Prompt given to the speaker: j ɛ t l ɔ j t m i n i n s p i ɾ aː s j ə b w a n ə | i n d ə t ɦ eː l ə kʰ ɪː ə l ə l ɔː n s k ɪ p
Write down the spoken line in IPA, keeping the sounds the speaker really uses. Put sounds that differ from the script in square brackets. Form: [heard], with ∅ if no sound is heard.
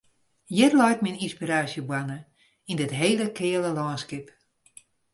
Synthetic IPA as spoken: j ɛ t l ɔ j t m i n i n s p i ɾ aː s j ə b w a n ə | i n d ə t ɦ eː l ə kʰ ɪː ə l ə l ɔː n s k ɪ p